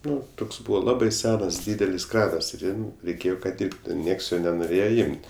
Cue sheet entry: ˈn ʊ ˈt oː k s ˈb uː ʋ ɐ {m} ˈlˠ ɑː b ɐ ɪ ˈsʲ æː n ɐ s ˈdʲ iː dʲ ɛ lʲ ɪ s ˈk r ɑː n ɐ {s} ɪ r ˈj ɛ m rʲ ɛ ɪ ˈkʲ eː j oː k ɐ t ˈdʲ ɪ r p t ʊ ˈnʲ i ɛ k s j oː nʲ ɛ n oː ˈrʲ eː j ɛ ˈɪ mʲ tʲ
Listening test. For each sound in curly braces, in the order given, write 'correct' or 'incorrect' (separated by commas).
incorrect, correct